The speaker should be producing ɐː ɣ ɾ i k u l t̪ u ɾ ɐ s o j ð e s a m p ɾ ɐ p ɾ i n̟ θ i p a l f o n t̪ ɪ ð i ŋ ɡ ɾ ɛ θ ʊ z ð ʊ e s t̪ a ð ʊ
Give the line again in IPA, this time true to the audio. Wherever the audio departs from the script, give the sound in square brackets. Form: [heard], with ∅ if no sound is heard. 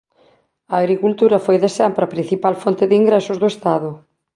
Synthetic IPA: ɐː ɣ ɾ i k u l t̪ u ɾ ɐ [f] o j ð e s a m p ɾ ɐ p ɾ i n̟ θ i p a l f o n t̪ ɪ ð i ŋ ɡ ɾ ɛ [s] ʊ z ð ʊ e s t̪ a ð ʊ